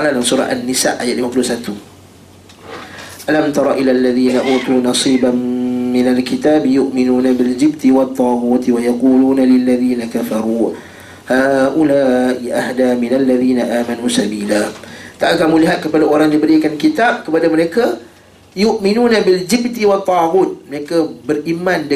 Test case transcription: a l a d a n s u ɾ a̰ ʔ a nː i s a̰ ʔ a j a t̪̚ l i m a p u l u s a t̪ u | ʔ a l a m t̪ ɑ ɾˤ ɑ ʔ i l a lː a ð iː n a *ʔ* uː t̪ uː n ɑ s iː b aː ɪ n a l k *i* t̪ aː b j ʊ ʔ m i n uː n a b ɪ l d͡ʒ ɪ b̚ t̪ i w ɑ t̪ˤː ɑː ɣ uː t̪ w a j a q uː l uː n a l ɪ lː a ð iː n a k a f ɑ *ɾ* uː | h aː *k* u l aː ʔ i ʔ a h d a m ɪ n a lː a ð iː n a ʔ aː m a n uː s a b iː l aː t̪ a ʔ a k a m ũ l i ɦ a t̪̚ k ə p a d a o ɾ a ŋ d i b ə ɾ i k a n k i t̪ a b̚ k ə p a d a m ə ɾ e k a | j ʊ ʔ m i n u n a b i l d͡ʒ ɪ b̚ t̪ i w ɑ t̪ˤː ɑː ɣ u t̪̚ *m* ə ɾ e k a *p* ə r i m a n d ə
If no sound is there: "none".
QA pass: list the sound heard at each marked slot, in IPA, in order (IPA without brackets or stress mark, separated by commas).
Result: ʔ, i, ɾ, ʔ, m, b